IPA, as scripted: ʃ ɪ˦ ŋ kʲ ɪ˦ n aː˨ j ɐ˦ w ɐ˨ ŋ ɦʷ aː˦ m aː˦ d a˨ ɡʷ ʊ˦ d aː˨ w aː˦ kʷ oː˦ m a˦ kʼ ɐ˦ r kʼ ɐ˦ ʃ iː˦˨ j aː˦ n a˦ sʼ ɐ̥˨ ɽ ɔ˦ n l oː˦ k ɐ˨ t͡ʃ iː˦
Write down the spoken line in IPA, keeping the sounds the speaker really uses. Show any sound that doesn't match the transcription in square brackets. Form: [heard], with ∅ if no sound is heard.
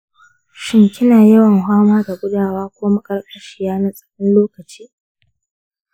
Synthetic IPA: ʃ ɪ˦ ŋ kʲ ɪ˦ n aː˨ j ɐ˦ w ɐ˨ ŋ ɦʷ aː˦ m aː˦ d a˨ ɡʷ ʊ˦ d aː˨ w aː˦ kʷ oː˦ m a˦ kʼ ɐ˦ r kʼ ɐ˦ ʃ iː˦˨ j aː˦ n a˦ sʼ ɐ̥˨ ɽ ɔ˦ n l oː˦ k ɐ˨ t͡ʃ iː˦